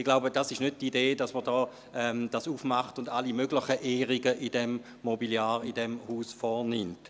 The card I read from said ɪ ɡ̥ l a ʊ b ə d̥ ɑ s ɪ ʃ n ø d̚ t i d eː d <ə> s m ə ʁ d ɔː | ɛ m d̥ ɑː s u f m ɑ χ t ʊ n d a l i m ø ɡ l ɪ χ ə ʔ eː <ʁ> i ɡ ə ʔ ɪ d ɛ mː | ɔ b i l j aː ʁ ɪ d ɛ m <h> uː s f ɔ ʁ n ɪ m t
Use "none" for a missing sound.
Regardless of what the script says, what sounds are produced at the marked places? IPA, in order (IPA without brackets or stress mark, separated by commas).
ɑ, ʁ, h